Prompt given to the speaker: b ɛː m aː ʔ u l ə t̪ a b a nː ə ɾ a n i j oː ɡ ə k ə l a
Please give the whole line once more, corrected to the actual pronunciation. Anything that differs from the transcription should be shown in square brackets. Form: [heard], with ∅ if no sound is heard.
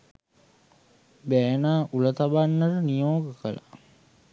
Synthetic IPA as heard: b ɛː [n] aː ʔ u l ə t̪ a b a nː ə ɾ [ə] n i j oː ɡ ə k ə l a